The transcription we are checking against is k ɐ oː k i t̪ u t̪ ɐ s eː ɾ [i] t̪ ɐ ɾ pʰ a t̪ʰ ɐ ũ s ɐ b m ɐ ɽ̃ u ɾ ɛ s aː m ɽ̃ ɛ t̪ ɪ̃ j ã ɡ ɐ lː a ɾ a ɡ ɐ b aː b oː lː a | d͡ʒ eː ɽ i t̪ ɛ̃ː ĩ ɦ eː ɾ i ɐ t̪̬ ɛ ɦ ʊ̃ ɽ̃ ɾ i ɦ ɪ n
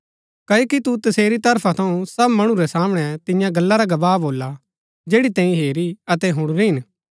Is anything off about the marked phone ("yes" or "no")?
no